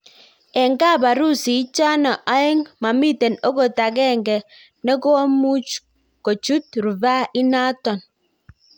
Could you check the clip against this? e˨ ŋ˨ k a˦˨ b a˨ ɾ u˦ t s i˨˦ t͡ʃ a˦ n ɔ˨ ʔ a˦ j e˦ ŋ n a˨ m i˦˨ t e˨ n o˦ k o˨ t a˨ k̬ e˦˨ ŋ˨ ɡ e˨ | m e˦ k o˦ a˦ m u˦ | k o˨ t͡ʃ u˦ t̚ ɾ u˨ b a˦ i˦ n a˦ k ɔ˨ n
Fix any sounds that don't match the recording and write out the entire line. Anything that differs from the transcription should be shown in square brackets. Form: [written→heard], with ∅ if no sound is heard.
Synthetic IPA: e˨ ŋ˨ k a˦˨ b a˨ ɾ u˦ [t→∅] s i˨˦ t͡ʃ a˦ n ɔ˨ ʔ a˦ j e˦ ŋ [n→m] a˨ m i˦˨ t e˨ n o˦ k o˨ t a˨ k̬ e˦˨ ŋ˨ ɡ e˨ | [m→n] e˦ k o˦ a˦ m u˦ | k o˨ t͡ʃ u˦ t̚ ɾ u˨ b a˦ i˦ n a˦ [k→t] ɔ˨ n